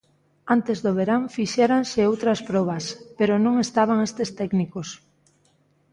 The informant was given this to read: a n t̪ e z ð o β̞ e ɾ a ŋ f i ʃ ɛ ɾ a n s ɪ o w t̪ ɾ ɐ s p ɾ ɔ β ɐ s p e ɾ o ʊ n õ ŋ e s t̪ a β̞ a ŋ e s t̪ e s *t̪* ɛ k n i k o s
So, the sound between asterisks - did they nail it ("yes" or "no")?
yes